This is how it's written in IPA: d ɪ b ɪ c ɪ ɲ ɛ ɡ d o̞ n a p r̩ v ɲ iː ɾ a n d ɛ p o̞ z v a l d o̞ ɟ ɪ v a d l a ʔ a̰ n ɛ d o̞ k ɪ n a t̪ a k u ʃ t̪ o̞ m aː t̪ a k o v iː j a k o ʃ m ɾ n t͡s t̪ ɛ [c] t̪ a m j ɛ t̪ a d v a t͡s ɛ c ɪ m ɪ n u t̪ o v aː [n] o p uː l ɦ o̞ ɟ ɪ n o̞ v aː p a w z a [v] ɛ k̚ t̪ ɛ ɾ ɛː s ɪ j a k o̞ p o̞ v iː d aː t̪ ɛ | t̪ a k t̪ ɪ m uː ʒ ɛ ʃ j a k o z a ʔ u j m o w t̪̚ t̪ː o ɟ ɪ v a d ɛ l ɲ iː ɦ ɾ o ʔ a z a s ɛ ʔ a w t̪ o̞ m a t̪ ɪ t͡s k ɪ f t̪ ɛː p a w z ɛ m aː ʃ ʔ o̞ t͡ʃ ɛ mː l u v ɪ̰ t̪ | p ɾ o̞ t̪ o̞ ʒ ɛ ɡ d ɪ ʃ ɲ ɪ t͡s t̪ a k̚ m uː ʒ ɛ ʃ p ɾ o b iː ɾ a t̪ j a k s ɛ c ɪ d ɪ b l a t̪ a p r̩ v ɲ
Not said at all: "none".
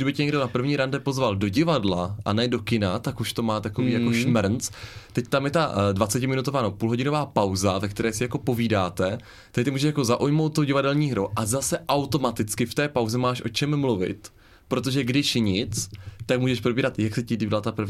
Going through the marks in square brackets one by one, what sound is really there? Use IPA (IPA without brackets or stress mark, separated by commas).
c, n, v